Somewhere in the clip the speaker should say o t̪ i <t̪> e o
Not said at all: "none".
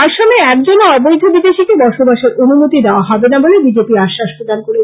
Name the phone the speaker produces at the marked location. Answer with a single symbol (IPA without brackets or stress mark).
d̪